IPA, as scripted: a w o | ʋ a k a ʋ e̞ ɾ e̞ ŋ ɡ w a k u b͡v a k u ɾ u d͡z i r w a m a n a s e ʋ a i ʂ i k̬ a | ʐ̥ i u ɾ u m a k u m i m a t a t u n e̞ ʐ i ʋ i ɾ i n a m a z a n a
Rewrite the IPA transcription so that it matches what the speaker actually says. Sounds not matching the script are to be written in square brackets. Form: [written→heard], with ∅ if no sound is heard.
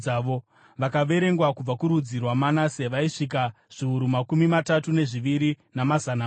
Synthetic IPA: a [w→ʋ] o | ʋ a k a ʋ e̞ ɾ e̞ ŋ ɡ w a k u b͡v a k u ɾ u d͡z i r w a m a n a s e ʋ a i ʂ i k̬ a | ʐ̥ i u ɾ u m a k u m i m a t a t u n e̞ ʐ i ʋ i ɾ i n a m a z a n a